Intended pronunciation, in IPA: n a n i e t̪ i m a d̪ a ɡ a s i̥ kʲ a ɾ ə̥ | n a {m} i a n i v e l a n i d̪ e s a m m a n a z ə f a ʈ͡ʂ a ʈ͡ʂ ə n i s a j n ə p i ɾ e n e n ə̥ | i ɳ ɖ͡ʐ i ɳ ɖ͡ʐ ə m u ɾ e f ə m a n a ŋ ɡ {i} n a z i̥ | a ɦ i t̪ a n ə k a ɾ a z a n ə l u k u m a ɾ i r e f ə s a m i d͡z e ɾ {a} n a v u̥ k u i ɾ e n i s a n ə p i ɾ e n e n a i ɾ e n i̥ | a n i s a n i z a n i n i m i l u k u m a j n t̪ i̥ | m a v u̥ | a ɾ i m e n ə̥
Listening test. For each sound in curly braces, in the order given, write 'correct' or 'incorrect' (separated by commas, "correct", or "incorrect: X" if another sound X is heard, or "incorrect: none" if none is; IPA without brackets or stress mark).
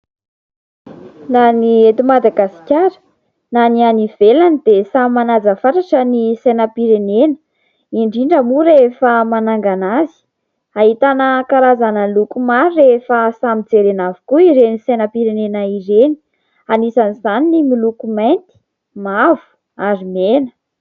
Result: incorrect: n, incorrect: a, incorrect: e